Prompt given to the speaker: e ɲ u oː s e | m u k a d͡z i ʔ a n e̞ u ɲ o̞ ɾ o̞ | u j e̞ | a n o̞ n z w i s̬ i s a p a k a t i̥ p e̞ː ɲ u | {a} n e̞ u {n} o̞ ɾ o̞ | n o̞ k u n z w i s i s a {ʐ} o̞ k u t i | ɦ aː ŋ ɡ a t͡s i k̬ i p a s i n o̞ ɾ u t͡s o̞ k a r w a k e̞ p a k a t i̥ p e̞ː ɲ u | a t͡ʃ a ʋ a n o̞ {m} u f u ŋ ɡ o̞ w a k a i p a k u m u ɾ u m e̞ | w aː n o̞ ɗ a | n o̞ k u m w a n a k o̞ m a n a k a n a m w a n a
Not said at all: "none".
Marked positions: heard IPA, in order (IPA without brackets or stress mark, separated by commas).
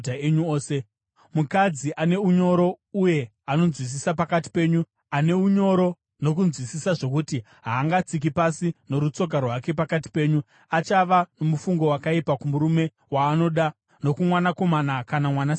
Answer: a, ɲ, ʐ, m